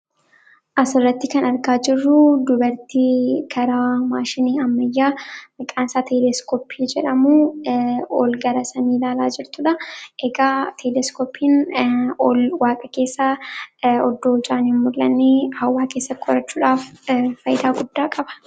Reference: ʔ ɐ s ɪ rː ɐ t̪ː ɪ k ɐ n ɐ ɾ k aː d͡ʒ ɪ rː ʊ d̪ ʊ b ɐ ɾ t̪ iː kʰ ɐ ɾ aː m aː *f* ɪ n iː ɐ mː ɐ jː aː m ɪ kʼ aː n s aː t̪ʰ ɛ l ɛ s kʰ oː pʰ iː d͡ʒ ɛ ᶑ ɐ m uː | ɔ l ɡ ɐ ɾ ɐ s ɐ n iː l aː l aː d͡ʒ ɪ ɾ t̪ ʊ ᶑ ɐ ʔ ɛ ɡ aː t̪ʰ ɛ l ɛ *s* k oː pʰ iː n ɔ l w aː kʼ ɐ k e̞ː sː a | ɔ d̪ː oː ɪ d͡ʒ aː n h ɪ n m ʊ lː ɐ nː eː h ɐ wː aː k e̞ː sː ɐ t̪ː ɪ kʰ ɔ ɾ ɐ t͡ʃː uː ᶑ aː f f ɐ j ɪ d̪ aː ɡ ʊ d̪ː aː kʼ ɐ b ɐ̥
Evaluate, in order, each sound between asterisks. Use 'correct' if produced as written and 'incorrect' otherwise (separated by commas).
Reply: incorrect, correct